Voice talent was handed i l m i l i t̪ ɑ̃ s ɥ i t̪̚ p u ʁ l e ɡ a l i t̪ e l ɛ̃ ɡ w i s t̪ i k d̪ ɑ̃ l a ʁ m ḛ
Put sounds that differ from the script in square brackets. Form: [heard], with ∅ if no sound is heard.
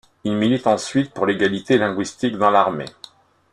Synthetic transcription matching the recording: i l m i l i t̪ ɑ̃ s ɥ i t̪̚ p u ʁ l e ɡ a l i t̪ e l ɛ̃ ɡ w i s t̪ i k d̪ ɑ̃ l a ʁ m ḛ